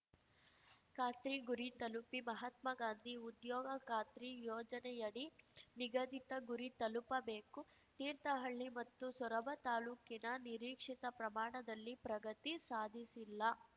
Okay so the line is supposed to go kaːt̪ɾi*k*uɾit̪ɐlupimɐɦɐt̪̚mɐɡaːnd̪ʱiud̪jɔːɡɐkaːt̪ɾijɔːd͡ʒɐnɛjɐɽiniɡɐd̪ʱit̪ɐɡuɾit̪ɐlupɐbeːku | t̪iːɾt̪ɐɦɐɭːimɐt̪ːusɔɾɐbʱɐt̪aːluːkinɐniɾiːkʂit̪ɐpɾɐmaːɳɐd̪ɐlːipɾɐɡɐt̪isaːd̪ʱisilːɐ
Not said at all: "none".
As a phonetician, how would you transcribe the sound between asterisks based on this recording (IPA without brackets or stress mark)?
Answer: ɡ